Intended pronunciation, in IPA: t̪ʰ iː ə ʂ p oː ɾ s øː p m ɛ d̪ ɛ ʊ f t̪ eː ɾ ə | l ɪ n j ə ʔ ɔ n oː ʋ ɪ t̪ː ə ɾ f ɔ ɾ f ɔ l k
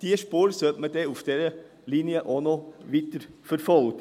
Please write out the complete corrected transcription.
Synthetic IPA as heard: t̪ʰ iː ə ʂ p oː ɾ s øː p m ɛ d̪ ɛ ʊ f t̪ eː ɾ ə | l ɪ n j ə ʔ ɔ n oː ʋ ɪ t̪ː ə ɾ f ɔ ɾ f ɔ l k